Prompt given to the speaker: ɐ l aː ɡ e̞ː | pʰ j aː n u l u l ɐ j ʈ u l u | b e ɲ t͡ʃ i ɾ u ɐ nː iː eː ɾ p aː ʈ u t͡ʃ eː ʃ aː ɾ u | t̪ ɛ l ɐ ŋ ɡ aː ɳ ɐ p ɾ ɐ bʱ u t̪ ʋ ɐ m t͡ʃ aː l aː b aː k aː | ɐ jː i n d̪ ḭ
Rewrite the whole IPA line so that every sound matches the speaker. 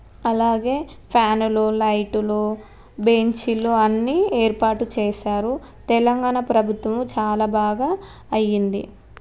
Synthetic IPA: ɐ l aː ɡ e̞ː | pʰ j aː n u l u l ɐ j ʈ u l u | b e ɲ t͡ʃ i l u ɐ nː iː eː ɾ p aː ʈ u t͡ʃ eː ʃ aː ɾ u | t̪ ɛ l ɐ ŋ ɡ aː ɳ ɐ p ɾ ɐ bʱ u t̪ ʋ ɐ m t͡ʃ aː l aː b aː ɡ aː | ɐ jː i n d̪ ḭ